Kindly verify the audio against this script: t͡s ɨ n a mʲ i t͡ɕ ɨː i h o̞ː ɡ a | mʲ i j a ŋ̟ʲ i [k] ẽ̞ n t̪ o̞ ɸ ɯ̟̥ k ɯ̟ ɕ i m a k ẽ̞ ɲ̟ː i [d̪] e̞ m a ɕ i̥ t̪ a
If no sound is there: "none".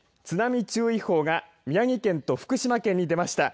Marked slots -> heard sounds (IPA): k, d̪

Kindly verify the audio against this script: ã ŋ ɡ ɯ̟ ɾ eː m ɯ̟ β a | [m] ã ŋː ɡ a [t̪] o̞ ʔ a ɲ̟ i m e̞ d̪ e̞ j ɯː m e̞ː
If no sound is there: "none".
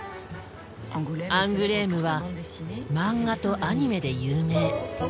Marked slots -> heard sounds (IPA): m, t̪

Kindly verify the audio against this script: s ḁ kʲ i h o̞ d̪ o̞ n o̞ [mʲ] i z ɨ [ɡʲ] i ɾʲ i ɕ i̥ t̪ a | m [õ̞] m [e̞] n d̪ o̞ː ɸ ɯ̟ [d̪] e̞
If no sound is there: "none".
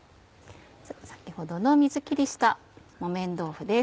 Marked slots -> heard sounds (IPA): mʲ, kʲ, o̞, ẽ̞, d̪

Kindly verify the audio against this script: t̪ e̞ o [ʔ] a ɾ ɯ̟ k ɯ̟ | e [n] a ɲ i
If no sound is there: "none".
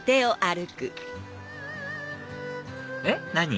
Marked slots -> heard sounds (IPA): ʔ, n

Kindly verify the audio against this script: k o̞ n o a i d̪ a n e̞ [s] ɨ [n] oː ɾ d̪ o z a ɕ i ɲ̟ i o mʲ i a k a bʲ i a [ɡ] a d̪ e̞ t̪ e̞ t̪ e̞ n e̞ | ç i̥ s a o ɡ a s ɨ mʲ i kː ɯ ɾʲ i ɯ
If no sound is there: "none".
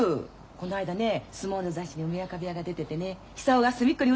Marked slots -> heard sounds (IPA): s, m, ɡ

